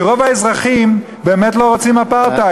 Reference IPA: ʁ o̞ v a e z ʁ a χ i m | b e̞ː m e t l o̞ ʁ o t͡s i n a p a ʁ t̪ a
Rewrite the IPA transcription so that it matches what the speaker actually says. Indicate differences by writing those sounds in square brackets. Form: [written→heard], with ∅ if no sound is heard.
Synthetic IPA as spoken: ʁ o̞ v a e z ʁ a χ i m | b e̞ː m e t l o̞ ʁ o t͡s i [n→m] a p a ʁ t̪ a

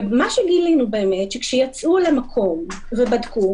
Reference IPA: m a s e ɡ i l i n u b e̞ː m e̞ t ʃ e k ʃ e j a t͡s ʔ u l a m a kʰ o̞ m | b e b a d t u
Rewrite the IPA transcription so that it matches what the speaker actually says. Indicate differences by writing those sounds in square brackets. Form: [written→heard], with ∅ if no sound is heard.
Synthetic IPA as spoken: m a [s→ʃ] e ɡ i l i n u b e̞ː m e̞ t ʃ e k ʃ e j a t͡s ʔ u l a m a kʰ o̞ m | [b→v] e b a d [t→k] u

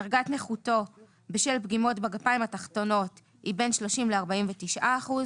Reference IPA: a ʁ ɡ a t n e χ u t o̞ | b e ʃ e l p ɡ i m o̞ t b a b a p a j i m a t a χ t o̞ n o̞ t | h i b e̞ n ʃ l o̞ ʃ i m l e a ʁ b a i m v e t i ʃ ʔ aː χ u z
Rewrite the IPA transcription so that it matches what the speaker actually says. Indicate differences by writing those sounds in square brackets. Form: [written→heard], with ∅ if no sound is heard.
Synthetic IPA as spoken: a ʁ ɡ a t n e χ u t o̞ | b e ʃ e l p ɡ i m o̞ t b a [b→ɡ] a p a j i m a t a χ t o̞ n o̞ t | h i b e̞ n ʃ l o̞ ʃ i m l e a ʁ b a i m v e t i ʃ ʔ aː χ u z

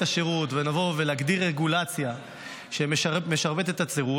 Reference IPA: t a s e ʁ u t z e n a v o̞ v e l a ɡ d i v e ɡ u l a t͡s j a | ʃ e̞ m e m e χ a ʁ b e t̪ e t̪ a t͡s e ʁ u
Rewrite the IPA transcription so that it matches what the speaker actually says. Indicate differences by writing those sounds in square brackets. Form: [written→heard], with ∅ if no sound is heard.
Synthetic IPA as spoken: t a [s→ʃ] e ʁ u t [z→v] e n a v o̞ v e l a ɡ d i [v→ʁ] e ɡ u l a t͡s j a | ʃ e̞ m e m e [χ→ʃ] a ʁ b e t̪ e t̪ a t͡s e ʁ u

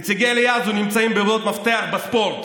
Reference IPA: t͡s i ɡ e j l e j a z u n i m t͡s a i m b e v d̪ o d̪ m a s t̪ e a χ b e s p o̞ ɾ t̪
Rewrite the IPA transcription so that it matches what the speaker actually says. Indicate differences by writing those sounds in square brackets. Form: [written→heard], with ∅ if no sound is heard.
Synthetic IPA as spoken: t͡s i ɡ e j l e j a z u n i m t͡s a i m b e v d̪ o [d̪→t̪] m a [s→f] t̪ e a χ b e s p o̞ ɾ t̪

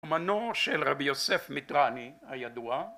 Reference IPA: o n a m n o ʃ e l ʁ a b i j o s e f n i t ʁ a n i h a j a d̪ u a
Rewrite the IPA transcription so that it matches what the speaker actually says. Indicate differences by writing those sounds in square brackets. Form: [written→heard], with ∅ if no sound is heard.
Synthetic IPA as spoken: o [n→m] a [m→∅] n o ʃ e l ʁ a b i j o s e f [n→m] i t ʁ a n i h a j a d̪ u a

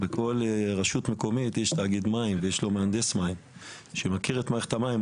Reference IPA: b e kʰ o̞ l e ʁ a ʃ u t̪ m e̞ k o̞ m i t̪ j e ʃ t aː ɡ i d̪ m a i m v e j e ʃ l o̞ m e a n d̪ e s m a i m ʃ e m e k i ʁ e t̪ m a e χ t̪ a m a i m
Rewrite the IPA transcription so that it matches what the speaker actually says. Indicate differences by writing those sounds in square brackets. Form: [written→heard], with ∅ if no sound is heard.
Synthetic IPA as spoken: b e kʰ o̞ l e ʁ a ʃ u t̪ m e̞ k o̞ m i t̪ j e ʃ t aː ɡ i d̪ m a i m v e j e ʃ l o̞ m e a n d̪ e s m a i m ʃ e m [e→a] k i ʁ e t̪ m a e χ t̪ a m a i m

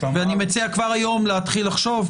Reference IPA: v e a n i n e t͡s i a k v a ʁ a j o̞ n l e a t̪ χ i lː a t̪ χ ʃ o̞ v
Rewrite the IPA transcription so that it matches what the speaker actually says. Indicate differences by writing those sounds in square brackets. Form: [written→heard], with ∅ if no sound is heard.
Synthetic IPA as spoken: v e a n i [n→m] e t͡s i a k v a ʁ a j o̞ [n→m] l e a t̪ χ i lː a [t̪→∅] χ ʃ o̞ v

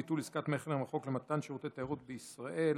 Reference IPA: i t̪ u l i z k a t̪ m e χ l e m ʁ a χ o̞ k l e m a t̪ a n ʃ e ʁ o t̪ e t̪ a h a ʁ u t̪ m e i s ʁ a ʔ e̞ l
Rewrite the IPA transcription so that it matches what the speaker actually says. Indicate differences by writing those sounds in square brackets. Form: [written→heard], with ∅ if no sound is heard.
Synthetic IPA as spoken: i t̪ u l i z k a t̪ m e χ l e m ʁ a χ o̞ k l e m a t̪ a n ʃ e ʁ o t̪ e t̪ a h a ʁ u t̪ [m→b] e i s ʁ a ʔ e̞ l

